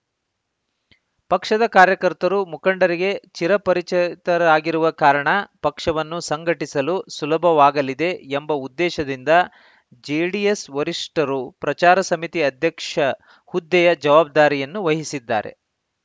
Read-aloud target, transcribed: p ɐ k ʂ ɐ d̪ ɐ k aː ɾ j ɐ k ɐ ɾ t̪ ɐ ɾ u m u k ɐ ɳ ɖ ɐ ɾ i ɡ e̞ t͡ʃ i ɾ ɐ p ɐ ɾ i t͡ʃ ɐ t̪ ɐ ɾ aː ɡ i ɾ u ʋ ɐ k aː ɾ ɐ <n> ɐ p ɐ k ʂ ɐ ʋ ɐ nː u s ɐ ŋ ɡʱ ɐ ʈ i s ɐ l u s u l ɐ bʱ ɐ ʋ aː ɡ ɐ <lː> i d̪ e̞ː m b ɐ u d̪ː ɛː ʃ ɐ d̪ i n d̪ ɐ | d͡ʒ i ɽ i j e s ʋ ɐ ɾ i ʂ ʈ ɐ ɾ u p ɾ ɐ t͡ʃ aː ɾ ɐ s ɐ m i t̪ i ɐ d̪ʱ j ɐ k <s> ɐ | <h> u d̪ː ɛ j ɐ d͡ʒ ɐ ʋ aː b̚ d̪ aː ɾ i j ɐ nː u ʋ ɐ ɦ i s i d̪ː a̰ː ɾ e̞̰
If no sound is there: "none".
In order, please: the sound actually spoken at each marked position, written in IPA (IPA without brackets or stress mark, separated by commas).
ɳ, l, ʂ, h